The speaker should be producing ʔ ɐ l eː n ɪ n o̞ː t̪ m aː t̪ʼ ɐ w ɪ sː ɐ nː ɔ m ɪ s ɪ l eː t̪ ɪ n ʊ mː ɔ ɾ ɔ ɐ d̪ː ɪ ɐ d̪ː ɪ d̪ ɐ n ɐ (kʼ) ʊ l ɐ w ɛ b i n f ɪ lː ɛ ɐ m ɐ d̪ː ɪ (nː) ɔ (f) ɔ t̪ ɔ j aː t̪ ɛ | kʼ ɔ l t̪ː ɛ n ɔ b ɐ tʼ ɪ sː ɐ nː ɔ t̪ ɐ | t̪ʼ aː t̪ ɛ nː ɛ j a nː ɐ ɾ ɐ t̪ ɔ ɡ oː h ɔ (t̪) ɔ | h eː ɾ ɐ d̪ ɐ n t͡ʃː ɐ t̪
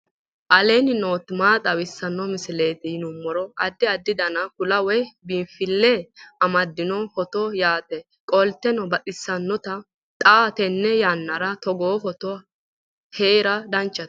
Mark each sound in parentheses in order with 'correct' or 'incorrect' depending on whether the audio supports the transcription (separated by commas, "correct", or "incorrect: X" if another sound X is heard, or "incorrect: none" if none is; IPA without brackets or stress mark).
incorrect: k, incorrect: n, incorrect: h, correct